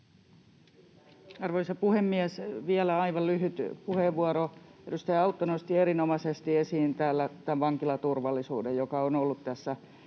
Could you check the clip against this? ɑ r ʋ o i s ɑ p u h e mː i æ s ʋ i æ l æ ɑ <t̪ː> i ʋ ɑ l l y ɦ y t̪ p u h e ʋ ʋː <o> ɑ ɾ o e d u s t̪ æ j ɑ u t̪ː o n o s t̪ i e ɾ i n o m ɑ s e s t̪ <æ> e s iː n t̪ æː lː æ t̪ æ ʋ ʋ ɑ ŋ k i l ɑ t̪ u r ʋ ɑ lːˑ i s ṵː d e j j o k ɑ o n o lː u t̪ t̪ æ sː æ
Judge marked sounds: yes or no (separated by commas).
no, no, no